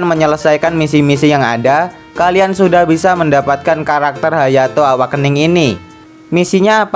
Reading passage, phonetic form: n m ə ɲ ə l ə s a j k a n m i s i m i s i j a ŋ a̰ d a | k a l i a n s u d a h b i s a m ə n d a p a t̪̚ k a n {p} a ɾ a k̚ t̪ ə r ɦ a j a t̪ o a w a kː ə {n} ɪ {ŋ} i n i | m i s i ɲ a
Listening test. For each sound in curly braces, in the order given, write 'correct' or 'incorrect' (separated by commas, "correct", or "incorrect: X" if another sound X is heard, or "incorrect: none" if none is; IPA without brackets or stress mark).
incorrect: k, correct, correct